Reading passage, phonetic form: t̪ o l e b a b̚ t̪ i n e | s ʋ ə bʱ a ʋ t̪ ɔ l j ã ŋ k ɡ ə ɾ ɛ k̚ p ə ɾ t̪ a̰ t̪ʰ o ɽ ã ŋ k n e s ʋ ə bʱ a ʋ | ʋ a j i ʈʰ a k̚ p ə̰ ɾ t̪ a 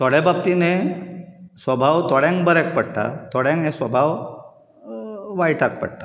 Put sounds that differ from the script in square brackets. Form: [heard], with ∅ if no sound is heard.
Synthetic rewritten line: t̪ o [ɽ] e b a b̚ t̪ i n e | s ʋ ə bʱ a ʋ t̪ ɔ [ɽ] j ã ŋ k [b] ə ɾ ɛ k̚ p ə [ɽ] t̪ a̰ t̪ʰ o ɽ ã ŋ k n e s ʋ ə bʱ a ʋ | ʋ a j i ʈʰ a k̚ p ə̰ [ɽ] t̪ a